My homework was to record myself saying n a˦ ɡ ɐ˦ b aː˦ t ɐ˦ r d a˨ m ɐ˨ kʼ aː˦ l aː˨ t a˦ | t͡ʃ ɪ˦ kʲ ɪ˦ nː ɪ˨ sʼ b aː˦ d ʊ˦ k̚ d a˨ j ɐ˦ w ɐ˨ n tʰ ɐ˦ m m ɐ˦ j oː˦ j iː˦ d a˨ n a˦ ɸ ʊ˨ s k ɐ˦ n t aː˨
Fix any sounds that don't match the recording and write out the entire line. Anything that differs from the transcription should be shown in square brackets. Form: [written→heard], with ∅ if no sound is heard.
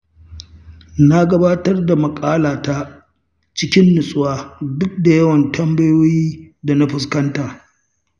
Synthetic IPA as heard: n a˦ ɡ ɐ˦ b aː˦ t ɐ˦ r d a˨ m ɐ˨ kʼ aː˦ l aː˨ t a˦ | t͡ʃ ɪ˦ kʲ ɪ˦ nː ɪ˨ sʼ [b→w] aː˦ d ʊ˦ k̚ d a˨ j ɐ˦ w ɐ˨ n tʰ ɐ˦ m [m→b] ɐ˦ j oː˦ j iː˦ d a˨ n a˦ ɸ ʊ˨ s k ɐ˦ n t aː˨